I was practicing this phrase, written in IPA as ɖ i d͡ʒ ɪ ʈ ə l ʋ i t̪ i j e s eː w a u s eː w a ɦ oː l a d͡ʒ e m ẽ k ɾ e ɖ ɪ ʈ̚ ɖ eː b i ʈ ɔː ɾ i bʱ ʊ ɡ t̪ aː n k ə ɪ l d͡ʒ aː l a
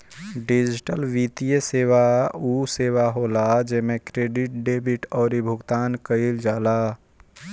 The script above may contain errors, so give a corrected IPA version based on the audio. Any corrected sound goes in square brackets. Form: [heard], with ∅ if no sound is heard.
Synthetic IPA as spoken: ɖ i d͡ʒ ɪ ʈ ə l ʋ i t̪ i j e s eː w a u s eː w a ɦ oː l a d͡ʒ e m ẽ k ɾ e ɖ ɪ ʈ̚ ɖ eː b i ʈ ɔː ɾ i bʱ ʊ ɡ t̪ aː n k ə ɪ l d͡ʒ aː l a